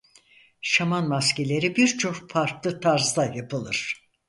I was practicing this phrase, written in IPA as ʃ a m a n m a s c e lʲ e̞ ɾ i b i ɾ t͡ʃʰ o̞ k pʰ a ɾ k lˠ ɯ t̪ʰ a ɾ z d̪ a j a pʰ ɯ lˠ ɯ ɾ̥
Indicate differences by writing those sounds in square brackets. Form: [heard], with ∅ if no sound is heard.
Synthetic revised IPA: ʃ a m a n m a s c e lʲ e̞ ɾ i b i ɾ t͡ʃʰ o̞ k pʰ a ɾ k lˠ ɯ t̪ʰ a ɾ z d̪ a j a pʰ ɯ lˠ ɯ ɾ̥